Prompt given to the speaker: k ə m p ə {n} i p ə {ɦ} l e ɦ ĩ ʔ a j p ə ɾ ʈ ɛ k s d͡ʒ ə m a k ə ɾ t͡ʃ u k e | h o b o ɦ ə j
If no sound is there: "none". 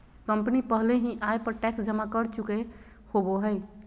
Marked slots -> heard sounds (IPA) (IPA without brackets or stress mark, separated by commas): n, ɦ